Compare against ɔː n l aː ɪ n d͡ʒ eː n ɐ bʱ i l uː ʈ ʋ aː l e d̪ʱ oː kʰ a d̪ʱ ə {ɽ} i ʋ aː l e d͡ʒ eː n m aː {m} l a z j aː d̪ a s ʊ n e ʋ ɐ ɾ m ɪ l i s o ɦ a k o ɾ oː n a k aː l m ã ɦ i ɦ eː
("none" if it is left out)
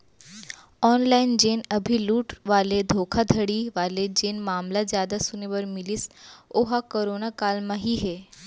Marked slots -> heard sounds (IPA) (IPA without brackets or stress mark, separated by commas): ɽ, m